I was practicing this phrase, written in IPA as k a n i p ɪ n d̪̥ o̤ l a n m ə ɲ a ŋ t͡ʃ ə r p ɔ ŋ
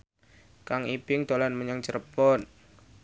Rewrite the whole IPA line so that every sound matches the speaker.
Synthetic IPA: k a ŋ i p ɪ ŋ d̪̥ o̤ l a n m ə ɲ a ŋ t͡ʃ ə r p ɔ n

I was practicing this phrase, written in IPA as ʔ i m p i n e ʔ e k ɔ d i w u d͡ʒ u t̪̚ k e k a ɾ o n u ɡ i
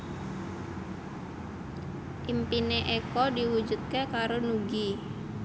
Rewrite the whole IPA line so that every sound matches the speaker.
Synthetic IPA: ʔ i m p i n e ʔ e k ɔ d i w u d͡ʒ u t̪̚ k e k a ɾ o n u ɡ i

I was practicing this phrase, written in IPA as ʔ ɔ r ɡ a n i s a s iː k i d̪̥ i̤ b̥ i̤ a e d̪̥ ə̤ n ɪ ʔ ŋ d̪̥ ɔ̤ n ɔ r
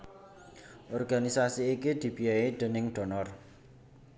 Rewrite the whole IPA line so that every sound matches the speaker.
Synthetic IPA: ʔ ɔ r ɡ a n i s a s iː k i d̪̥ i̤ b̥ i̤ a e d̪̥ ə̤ n ɪ ŋ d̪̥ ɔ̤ n ɔ r

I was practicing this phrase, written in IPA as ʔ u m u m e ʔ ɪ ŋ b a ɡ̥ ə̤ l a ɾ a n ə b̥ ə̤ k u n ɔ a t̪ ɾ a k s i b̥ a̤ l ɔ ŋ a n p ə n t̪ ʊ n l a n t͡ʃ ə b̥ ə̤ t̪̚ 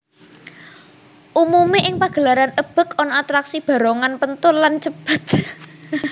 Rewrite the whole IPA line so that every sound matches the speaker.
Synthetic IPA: ʔ u m u m e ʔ ɪ ŋ p a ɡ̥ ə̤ l a ɾ a n ə b̥ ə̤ k ɔ n ɔ a t̪ ɾ a k s i b̥ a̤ ɾ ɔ ŋ a n p ə n t̪ ʊ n l a n t͡ʃ ə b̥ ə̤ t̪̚

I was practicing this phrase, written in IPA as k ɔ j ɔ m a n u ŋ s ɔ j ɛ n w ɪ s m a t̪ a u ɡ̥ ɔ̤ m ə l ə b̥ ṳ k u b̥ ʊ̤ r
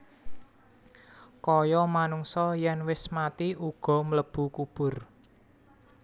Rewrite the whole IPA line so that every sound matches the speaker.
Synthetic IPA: k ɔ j ɔ m a n u ŋ s ɔ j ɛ n w ɪ s m a t̪ i u ɡ̥ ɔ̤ m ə l ə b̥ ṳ k u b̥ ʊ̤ r

